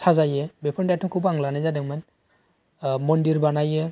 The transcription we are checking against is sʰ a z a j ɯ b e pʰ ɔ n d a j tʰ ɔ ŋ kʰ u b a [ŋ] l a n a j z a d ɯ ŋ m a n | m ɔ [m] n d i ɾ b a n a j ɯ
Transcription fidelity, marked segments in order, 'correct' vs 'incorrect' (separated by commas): correct, incorrect